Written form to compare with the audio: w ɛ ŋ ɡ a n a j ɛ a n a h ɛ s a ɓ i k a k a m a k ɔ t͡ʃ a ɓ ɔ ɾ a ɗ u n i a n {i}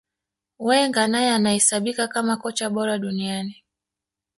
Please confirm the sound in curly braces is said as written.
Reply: yes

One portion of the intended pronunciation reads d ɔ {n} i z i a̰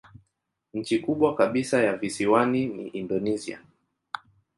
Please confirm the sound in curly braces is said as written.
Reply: yes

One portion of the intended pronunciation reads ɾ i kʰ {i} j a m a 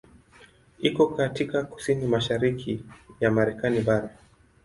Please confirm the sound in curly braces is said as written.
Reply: yes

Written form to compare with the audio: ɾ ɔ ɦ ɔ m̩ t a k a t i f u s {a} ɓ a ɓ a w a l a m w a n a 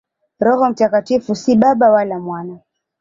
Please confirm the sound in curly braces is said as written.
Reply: no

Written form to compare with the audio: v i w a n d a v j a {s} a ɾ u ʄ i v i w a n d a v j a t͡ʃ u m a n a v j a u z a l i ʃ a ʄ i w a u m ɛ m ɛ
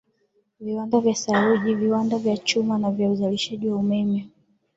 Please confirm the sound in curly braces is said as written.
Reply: yes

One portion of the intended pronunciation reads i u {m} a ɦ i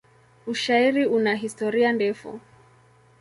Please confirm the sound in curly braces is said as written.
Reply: no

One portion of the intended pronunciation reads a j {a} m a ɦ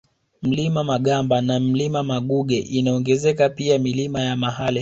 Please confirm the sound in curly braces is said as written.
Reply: yes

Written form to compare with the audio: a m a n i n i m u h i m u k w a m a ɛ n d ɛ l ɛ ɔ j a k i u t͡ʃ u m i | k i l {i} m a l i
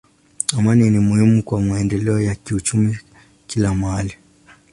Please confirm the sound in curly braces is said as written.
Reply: no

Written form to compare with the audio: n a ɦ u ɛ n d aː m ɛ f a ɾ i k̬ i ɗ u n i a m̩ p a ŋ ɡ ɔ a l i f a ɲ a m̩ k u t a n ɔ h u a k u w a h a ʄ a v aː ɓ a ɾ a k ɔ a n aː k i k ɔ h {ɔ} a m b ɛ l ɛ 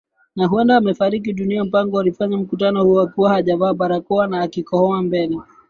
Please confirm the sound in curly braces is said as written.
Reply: yes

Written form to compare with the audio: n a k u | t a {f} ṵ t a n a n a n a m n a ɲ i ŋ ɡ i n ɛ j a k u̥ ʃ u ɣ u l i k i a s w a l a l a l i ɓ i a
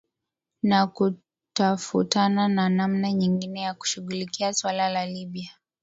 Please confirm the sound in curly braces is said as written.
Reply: yes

